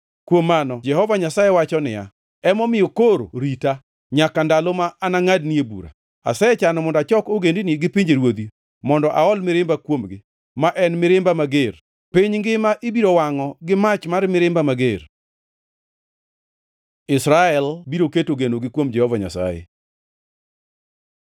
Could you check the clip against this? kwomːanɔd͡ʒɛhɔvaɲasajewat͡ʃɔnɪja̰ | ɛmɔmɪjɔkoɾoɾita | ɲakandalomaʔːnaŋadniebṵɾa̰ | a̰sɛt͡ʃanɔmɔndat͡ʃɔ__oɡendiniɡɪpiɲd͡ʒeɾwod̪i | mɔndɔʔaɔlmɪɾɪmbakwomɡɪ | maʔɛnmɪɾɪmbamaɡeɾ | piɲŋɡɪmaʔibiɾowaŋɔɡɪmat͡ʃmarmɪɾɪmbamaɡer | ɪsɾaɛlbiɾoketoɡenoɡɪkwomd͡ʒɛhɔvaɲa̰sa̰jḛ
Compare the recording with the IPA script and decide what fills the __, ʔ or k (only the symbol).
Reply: k